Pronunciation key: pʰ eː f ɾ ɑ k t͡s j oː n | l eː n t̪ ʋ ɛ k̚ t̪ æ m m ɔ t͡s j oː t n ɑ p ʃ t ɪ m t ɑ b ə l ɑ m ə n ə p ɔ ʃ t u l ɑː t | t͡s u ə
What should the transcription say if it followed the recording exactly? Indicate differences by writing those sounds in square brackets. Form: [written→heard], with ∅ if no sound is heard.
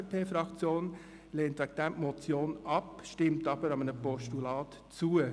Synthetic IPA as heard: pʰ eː f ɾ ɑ k t͡s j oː n | l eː n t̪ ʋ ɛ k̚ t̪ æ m m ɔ t͡s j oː [t→∅] n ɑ p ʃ t ɪ m t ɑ b ə [l→ɾ] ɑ m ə n ə p ɔ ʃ t u l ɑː t | t͡s u ə